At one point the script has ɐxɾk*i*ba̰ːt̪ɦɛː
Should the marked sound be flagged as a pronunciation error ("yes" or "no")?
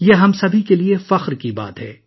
no